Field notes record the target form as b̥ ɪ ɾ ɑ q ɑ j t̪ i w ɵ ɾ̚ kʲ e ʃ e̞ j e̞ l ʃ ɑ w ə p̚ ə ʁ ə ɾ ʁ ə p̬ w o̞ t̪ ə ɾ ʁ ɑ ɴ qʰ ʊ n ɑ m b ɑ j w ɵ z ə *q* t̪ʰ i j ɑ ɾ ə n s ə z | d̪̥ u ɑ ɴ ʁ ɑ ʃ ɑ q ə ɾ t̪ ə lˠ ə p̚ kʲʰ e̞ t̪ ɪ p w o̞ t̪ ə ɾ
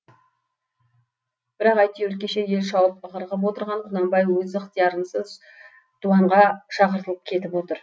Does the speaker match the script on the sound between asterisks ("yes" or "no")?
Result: yes